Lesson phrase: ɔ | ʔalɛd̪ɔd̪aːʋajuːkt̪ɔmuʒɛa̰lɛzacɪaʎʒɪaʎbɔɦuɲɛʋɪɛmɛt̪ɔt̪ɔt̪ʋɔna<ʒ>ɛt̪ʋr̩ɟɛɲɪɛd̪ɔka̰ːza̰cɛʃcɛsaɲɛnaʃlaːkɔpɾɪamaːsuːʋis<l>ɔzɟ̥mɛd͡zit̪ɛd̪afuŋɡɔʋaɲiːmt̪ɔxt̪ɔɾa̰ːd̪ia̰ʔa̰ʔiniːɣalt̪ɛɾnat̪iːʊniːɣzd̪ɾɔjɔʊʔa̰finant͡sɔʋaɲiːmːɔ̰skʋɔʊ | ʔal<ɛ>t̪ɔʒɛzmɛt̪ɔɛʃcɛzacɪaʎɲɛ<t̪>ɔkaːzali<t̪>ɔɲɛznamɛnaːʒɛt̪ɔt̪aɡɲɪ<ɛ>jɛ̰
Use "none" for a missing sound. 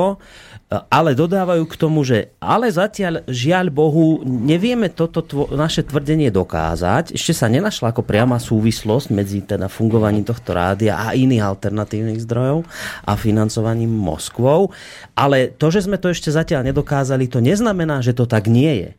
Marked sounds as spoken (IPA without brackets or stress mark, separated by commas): ʃ, l, ɛ, d̪, t̪, ɛ